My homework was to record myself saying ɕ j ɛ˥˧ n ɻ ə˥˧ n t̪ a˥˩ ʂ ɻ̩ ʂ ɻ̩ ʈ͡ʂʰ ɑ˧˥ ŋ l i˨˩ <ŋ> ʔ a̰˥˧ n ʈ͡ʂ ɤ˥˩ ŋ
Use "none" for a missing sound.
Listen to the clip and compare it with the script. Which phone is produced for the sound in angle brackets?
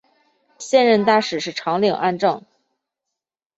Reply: ŋ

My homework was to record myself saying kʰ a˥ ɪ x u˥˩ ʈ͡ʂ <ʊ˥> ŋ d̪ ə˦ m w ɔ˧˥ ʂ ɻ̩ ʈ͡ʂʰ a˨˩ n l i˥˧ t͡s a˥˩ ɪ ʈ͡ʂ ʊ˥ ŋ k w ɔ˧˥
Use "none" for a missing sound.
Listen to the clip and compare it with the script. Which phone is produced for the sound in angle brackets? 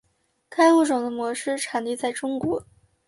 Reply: ʊ˨˩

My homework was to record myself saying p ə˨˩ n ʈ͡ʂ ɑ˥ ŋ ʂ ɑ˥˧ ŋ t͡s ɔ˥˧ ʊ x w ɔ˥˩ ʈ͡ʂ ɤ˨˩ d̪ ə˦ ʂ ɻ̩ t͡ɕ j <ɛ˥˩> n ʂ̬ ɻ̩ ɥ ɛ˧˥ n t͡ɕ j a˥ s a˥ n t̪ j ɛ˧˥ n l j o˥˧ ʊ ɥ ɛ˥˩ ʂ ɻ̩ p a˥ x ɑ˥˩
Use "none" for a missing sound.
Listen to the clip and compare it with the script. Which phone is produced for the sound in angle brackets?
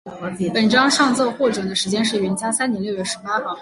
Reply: ɛ˥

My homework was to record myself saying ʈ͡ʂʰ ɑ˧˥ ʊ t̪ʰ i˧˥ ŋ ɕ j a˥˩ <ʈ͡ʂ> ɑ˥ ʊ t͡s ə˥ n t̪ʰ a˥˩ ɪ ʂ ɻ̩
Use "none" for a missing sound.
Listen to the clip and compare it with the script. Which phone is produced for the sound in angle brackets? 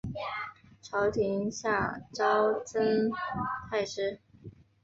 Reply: ʈ͡ʂ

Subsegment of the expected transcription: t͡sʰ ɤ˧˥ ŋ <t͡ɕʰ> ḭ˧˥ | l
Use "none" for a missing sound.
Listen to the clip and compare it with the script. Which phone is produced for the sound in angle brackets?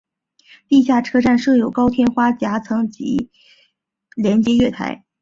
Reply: t͡ɕ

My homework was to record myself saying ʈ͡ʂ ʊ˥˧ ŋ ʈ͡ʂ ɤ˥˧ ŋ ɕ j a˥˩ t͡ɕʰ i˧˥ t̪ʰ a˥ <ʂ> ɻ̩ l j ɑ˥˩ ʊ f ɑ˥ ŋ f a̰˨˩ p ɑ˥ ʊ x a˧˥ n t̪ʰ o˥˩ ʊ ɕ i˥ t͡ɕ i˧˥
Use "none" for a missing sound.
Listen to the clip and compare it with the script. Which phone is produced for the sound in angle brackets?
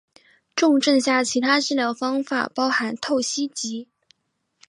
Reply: ʈ͡ʂ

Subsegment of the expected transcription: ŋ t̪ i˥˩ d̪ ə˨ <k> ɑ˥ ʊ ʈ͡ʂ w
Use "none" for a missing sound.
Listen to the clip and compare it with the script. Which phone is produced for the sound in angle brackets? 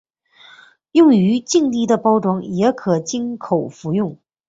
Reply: p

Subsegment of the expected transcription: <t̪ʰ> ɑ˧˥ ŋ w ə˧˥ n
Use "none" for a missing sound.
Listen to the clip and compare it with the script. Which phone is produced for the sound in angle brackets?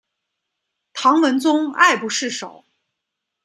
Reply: t̪ʰ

